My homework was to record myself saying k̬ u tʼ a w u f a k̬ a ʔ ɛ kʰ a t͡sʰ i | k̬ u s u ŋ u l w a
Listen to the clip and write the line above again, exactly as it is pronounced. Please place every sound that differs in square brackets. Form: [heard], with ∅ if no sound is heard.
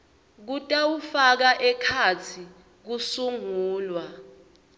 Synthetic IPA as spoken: k̬ u tʼ a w u f a k̬ a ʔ ɛ kʰ a t͡sʰ i | k̬ u s u ŋ [uː] l w a